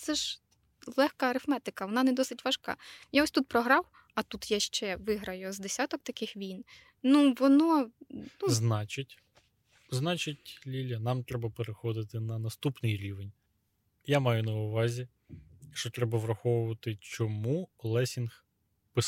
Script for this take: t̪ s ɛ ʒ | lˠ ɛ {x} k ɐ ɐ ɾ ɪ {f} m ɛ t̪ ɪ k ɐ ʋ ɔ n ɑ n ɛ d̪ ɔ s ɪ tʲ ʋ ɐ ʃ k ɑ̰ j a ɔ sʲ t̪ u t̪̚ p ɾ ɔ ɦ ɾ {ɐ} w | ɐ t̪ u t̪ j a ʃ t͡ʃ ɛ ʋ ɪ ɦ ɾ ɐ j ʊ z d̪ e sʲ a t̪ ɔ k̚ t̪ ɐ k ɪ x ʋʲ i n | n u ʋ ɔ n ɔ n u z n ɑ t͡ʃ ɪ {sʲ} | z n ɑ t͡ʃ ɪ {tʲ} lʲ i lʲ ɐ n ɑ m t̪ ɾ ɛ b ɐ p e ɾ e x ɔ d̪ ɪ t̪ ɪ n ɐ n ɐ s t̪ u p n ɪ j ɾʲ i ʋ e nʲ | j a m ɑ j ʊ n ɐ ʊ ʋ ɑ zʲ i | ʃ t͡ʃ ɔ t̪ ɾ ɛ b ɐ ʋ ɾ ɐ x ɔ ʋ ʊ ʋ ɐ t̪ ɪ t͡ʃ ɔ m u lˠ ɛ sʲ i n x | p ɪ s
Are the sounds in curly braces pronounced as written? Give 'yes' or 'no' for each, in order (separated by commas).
yes, yes, no, no, yes